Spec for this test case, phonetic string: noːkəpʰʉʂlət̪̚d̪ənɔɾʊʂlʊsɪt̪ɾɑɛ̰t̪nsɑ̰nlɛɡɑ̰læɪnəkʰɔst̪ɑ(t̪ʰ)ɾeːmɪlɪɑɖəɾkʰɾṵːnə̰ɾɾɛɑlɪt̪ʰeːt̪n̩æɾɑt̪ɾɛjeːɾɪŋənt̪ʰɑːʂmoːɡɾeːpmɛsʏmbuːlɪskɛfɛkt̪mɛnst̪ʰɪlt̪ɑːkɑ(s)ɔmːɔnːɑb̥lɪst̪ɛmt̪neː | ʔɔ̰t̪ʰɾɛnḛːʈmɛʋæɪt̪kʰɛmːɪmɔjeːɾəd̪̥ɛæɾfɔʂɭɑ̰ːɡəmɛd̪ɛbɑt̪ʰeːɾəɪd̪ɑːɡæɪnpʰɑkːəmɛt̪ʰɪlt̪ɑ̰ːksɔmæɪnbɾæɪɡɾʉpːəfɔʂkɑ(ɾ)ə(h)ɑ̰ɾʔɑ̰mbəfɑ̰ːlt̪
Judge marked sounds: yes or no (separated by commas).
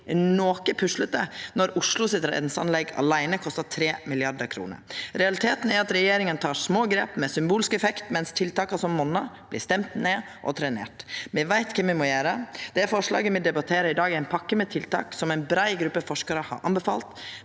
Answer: yes, yes, yes, yes